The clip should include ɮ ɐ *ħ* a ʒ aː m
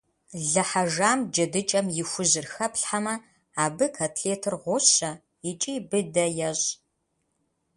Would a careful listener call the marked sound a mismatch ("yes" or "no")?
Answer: no